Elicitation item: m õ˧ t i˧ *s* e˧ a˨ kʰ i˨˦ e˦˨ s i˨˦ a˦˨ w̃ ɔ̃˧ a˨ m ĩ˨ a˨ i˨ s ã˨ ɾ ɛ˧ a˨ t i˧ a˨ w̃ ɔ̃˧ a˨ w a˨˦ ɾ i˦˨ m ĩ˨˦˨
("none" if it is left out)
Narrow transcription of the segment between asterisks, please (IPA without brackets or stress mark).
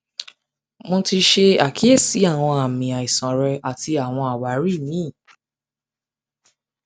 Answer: ʃ